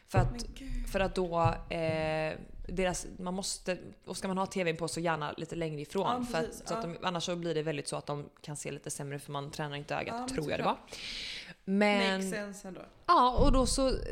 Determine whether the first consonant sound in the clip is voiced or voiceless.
voiceless